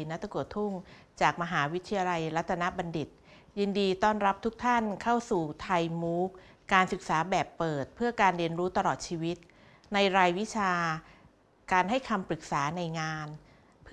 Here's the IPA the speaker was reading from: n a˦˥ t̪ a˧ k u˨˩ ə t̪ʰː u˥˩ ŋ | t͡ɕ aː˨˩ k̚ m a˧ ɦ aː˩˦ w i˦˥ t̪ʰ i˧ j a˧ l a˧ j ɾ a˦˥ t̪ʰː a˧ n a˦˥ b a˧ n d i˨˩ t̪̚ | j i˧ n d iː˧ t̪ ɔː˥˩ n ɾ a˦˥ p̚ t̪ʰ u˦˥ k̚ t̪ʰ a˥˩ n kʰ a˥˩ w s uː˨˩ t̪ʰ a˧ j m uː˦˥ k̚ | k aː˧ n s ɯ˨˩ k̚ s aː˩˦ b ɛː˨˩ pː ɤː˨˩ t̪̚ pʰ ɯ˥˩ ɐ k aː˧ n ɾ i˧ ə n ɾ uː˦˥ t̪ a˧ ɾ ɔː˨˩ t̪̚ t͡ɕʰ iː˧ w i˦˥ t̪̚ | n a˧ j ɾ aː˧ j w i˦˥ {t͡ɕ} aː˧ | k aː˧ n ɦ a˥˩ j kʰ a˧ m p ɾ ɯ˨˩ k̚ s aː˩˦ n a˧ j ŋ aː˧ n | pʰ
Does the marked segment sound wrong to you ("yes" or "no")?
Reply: yes